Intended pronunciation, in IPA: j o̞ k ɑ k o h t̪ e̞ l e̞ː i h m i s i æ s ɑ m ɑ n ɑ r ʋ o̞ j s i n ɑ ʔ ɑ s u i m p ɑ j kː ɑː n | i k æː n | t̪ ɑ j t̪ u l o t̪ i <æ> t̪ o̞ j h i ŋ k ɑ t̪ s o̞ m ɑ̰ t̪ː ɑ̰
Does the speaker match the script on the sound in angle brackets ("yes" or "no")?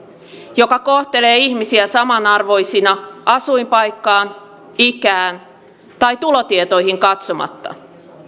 no